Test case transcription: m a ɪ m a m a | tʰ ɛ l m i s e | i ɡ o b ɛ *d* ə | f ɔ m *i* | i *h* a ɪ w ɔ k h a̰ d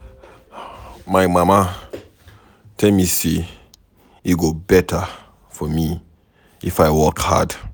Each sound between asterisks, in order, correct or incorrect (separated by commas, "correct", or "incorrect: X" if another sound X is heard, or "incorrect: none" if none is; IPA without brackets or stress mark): incorrect: t, correct, incorrect: f